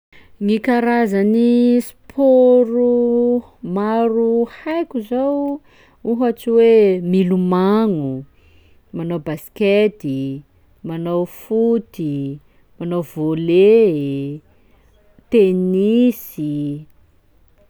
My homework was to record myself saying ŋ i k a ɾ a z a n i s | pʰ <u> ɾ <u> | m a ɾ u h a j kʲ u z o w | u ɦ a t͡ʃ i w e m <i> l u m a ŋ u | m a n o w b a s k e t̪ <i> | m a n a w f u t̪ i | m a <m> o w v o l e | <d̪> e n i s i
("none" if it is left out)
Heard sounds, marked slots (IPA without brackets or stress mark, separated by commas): o, u, i, i, n, t̪